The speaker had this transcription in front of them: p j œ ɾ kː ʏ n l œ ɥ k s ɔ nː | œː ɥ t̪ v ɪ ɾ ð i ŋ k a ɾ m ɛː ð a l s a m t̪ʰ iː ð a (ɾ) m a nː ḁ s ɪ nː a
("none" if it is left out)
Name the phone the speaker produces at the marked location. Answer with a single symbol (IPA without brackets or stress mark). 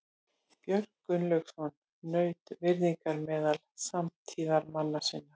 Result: ɾ